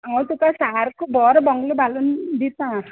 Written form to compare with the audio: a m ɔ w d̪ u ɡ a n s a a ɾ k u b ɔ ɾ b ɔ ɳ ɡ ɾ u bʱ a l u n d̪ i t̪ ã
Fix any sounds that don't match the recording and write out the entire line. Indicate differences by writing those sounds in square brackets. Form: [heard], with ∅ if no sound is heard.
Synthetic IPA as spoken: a [ŋ] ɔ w [t̪] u [k] a [∅] s a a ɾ k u b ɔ ɾ b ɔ [ŋ] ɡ [l] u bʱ a l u n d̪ i t̪ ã